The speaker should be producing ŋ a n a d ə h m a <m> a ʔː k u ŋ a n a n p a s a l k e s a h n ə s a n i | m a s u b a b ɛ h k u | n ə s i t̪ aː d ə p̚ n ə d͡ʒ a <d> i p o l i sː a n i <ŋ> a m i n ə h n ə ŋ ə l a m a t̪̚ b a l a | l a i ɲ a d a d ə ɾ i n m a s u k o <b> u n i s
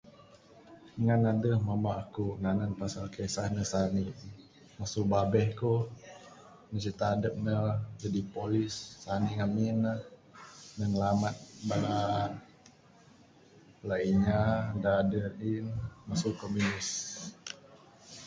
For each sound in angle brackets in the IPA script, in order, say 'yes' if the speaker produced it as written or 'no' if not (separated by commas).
yes, yes, yes, no